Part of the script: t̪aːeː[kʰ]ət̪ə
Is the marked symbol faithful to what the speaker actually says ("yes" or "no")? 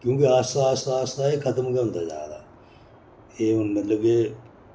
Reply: yes